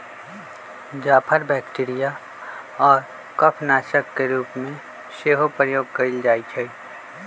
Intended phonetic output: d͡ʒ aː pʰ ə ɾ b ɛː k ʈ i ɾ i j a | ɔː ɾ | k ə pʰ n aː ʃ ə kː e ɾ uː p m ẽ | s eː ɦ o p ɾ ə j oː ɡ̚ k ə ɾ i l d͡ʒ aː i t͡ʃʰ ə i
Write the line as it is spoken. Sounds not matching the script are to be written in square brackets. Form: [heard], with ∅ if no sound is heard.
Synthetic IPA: d͡ʒ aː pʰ ə ɾ b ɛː k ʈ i ɾ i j a | ɔː ɾ | k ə pʰ n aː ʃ ə kː e ɾ uː p m ẽ | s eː ɦ o p ɾ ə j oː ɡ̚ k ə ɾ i l d͡ʒ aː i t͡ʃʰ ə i